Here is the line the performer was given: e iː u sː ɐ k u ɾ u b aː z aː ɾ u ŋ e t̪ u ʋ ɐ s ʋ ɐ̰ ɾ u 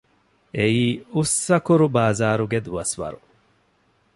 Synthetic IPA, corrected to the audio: e iː u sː ɐ k u ɾ u b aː z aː ɾ u ɡ e d̪ u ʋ ɐ s ʋ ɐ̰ ɾ u